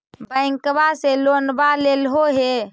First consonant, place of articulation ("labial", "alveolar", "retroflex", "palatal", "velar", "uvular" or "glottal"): labial